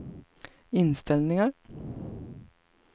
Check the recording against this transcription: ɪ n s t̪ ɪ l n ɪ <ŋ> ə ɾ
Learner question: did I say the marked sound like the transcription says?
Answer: yes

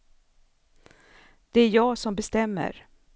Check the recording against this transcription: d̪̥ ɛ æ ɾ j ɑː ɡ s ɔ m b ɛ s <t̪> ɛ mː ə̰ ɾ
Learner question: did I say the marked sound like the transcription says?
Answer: yes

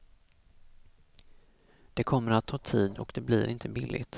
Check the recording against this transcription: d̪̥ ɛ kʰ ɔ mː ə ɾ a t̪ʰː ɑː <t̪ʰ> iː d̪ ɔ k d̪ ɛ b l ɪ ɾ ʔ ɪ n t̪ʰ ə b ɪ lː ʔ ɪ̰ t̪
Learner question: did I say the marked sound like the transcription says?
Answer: yes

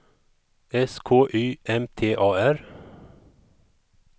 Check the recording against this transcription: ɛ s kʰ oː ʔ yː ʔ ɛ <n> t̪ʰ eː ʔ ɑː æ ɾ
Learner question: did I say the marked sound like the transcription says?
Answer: no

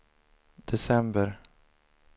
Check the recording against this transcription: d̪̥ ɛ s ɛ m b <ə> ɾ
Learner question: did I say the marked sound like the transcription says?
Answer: yes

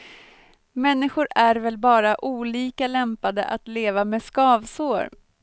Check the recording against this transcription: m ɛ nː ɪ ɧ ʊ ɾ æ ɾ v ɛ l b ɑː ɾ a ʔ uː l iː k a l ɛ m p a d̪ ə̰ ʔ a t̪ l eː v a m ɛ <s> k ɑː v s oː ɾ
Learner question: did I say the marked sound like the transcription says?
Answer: yes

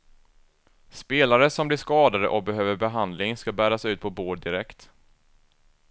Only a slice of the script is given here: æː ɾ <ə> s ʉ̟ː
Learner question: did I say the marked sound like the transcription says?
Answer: no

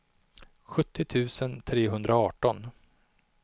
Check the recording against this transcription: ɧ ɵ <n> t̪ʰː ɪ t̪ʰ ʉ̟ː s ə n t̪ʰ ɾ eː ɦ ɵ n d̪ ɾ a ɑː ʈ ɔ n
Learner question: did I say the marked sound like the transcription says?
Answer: no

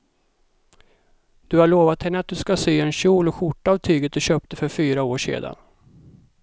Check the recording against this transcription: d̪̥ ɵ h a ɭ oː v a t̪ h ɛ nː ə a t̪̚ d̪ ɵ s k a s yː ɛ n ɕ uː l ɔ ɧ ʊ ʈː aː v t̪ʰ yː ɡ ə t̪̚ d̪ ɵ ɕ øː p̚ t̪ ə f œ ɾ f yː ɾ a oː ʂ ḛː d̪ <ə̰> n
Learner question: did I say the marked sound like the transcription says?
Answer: no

